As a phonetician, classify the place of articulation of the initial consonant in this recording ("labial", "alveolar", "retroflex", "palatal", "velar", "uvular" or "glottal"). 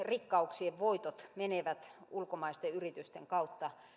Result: alveolar